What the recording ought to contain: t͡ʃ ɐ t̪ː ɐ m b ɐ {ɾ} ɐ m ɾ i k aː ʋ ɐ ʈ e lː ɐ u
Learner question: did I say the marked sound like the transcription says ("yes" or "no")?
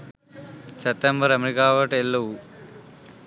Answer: yes